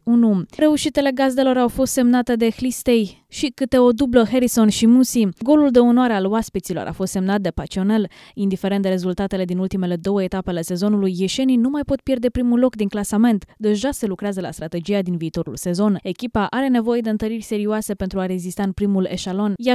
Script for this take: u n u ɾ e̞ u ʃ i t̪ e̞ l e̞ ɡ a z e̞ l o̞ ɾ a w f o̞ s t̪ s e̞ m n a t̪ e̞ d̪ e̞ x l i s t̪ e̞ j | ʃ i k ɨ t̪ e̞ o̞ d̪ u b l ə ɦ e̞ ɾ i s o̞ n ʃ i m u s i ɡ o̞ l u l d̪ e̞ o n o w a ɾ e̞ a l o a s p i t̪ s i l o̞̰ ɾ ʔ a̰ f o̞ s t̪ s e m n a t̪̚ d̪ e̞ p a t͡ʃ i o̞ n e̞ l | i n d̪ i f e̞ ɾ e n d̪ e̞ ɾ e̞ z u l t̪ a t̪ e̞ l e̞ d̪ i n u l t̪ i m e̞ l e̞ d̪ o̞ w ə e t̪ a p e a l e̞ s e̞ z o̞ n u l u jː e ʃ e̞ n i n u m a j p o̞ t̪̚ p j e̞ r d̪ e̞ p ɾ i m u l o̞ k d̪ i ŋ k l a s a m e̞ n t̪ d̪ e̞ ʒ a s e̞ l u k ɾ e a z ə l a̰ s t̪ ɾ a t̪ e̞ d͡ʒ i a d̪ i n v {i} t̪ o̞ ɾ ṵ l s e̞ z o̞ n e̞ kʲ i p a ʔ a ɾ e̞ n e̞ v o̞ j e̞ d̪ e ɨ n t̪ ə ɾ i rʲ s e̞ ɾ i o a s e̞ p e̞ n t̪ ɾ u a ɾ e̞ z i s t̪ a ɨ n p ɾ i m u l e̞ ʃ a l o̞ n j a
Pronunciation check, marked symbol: incorrect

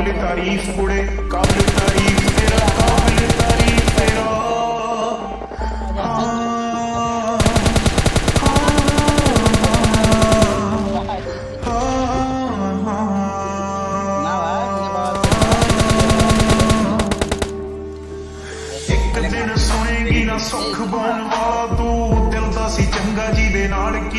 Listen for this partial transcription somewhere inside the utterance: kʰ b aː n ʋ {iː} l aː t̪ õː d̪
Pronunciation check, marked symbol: incorrect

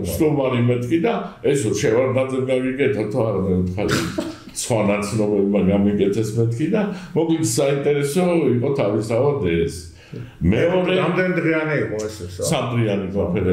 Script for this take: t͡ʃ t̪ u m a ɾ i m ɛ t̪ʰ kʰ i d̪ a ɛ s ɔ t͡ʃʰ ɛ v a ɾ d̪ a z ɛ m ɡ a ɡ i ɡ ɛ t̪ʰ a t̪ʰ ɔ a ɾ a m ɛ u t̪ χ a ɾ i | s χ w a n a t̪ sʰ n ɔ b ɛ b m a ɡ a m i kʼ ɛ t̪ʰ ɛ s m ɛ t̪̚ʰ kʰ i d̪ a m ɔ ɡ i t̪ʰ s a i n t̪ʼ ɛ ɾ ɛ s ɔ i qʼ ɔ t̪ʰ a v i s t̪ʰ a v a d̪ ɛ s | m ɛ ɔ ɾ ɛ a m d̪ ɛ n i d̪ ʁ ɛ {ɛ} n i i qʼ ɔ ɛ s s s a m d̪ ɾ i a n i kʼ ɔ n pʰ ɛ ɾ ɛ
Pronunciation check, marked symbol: incorrect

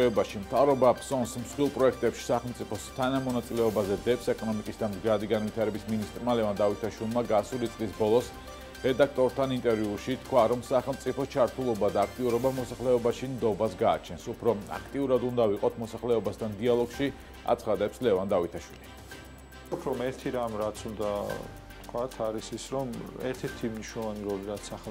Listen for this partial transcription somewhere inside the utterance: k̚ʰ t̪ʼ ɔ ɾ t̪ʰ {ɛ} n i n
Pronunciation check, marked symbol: incorrect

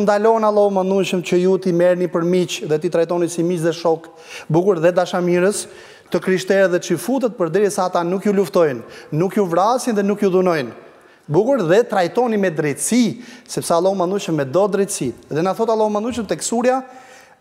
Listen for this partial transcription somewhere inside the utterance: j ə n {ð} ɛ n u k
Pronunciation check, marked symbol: correct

